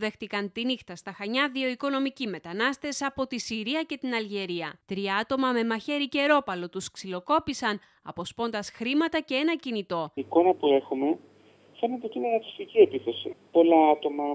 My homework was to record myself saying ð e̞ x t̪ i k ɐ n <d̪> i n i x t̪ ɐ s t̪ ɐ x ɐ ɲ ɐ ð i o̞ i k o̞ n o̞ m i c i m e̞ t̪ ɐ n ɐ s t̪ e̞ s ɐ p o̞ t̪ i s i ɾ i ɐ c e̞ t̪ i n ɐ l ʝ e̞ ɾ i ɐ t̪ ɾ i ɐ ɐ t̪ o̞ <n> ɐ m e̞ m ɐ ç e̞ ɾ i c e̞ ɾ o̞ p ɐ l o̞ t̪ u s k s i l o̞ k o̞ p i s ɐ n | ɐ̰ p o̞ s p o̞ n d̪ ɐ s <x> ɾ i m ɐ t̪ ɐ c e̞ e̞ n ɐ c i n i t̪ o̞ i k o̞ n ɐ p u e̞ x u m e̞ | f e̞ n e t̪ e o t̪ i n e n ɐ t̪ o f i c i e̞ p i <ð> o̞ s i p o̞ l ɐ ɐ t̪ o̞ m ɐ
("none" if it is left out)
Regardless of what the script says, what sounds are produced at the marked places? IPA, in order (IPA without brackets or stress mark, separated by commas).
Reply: t̪, m, x, θ